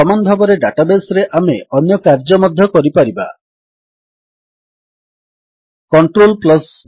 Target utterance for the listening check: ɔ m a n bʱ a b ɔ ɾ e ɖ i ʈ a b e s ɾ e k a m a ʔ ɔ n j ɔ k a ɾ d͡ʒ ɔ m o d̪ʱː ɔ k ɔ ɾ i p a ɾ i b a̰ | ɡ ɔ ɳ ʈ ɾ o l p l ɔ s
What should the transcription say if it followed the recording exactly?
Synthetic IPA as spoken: ɔ m a n bʱ a b ɔ ɾ e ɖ a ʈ a b e s ɾ e ʔ a m e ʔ ɔ n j ɔ k a ɾ d͡ʒ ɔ m ɔ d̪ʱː ɔ k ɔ ɾ i p a ɾ i b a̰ | k ɔ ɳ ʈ ɾ o l p l ɔ s